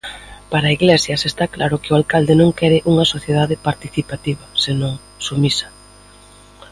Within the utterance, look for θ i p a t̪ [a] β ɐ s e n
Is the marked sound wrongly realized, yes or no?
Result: yes